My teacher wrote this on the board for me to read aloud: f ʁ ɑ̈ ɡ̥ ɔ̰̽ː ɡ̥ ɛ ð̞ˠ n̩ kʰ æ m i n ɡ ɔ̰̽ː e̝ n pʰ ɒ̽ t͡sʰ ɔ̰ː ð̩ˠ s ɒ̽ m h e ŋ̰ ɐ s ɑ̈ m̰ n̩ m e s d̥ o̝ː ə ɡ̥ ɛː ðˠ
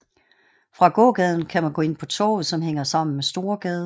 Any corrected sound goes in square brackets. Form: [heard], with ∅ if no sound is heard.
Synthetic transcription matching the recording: f ʁ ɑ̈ ɡ̥ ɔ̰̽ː ɡ̥ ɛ ð̞ˠ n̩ kʰ æ m [æ] n ɡ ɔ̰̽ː e̝ n pʰ ɒ̽ t͡sʰ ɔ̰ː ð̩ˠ s ɒ̽ m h e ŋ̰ ɐ s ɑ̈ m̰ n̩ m e s d̥ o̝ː [ɐ] ɡ̥ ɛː ðˠ